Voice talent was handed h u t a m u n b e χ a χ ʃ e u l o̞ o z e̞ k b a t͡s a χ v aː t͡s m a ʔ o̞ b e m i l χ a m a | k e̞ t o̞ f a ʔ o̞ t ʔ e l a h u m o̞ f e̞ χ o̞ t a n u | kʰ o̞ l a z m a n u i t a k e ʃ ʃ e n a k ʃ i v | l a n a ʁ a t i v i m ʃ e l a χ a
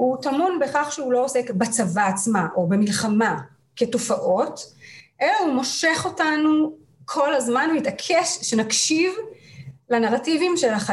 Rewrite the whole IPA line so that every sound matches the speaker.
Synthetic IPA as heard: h u t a m u n b e χ a χ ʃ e u l o̞ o s e̞ k b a t͡s a v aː t͡s m a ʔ o̞ b e m i l χ a m a | k e̞ t o̞ f a ʔ o̞ t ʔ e l a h u m o̞ ʃ e̞ χ o̞ t a n u | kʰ o̞ l a z m a n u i t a kʰ e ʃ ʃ e n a k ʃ i v | l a n a ʁ a t i v i m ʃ e l a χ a